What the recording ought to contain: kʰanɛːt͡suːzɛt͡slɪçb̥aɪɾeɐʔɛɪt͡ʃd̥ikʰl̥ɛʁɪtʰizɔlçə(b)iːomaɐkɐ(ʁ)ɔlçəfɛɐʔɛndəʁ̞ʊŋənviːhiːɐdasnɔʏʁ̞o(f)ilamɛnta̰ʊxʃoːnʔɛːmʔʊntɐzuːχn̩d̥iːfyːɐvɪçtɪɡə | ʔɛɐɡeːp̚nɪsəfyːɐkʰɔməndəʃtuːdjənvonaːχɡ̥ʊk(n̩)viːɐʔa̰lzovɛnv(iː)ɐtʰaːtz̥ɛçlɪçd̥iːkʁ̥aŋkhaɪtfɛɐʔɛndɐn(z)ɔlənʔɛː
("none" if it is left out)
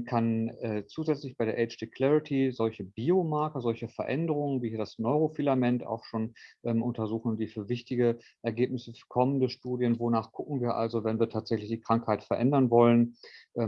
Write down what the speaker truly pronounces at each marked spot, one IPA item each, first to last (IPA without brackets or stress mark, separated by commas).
b, z, f, ŋ̩, iː, v